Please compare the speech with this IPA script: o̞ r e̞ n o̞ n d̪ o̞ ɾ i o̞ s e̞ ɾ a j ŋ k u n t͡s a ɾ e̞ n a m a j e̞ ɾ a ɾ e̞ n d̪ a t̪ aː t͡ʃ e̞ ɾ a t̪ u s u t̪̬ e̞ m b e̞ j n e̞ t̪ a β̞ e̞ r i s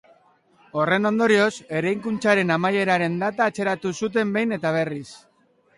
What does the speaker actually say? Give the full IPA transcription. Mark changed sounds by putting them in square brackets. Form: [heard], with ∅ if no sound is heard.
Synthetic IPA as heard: o̞ r e̞ n o̞ n d̪ o̞ ɾ i o̞ s e̞ ɾ a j ŋ k u n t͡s a ɾ e̞ n a m a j e̞ ɾ a ɾ e̞ n d̪ a t̪ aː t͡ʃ e̞ ɾ a t̪ u s u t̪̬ e̞ m b e̞ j n e̞ t̪ a β̞ e̞ r i s